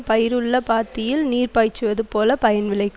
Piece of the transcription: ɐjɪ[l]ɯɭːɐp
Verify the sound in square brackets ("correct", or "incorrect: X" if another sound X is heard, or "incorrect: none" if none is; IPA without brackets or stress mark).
incorrect: ɾ